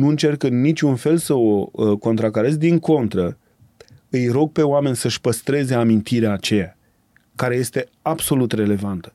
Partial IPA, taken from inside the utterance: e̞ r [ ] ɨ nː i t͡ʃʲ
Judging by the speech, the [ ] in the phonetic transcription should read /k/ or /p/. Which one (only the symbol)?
k